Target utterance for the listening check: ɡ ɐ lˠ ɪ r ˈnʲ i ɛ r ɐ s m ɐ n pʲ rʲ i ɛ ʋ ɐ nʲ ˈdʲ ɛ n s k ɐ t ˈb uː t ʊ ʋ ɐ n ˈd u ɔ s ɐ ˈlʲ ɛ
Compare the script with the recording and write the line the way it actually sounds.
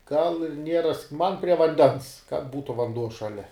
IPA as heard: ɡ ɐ lˠ ɪ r ˈnʲ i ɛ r ɐ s m ɐ n pʲ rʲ i ɛ ʋ ɐ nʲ ˈdʲ ɛ n s k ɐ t ˈb uː t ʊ ʋ ɐ n ˈd u ɔ ʃ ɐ ˈlʲ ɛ